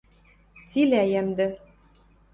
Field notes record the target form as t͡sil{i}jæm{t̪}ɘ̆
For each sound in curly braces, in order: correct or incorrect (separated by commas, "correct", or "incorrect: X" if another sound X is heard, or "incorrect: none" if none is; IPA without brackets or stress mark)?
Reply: incorrect: æ, incorrect: d̪